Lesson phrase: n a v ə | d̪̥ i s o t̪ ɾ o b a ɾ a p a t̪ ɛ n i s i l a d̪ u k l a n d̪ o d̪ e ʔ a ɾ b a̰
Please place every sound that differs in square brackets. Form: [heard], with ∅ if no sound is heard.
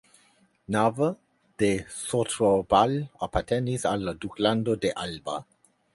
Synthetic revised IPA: n a v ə | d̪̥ [e] s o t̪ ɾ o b a [l] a p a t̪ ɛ n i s [a] l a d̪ u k l a n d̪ o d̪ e ʔ a [l] b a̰